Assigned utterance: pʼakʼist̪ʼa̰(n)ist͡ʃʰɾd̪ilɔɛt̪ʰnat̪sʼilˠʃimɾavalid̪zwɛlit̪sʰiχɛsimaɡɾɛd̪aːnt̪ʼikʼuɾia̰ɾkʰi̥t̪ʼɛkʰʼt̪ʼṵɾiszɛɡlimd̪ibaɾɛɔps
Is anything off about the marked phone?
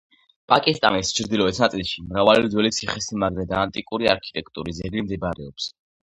no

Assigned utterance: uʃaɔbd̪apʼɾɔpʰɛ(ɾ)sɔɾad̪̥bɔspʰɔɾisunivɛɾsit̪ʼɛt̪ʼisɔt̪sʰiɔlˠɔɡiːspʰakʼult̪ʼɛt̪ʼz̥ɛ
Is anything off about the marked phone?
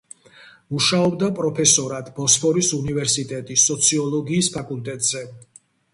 yes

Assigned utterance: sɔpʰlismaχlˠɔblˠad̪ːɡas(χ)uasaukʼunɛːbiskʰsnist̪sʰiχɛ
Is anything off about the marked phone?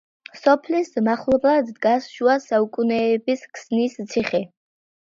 yes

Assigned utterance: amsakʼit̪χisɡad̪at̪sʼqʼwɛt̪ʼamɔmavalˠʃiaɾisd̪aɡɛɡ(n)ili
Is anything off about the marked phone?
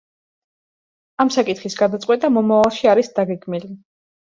yes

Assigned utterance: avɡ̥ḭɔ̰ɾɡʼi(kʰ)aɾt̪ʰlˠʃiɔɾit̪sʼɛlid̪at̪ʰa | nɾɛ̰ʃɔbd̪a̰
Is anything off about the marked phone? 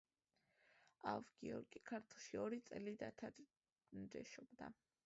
no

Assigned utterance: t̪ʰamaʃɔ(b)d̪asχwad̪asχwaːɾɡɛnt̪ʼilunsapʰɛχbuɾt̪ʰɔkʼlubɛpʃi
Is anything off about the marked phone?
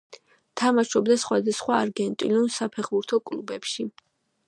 no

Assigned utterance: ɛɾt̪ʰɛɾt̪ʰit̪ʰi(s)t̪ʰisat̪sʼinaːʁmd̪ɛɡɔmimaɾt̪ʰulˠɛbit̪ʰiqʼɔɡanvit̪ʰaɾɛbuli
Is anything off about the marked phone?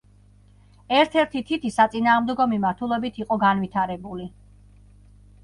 yes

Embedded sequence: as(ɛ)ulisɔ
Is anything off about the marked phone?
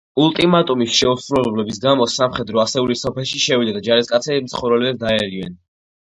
no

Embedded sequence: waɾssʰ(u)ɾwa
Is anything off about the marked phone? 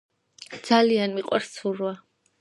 no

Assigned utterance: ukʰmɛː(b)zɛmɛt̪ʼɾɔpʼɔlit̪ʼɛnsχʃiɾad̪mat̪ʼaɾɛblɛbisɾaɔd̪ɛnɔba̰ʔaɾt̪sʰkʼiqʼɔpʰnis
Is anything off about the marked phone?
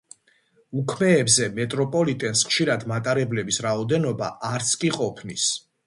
no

